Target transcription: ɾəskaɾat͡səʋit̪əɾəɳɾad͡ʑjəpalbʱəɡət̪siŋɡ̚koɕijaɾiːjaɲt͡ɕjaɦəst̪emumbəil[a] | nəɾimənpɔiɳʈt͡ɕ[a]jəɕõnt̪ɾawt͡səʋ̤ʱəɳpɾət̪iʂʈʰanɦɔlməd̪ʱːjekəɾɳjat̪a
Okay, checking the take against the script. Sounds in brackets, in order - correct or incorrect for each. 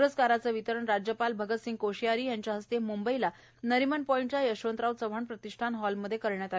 correct, correct

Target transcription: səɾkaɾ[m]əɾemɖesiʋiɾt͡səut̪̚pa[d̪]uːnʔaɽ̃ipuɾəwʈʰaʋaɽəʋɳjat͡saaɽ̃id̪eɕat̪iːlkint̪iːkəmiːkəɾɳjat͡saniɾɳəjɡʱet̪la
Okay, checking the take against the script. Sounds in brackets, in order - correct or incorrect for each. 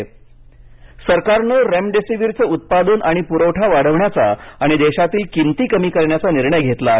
incorrect, correct

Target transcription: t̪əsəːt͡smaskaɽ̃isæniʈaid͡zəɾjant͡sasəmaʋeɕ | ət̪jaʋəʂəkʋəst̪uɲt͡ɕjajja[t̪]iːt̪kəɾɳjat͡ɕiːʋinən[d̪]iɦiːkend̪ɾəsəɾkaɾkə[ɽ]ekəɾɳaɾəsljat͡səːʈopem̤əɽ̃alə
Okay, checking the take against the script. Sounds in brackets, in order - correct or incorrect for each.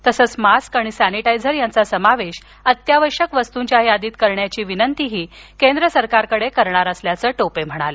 incorrect, incorrect, correct

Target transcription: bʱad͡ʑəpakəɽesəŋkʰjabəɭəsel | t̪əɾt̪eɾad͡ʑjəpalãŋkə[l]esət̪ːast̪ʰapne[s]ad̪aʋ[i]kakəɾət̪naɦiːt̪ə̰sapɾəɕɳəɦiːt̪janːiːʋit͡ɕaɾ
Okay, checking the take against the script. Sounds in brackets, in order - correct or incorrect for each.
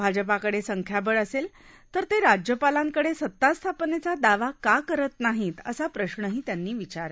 incorrect, incorrect, incorrect

